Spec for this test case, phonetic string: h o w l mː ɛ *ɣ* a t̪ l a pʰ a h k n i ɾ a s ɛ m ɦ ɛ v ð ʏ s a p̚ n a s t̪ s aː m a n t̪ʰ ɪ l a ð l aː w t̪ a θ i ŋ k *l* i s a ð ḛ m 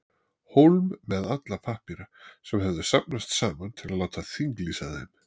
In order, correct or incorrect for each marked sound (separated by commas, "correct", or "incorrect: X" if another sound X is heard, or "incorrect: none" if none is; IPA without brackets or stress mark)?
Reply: incorrect: ð, correct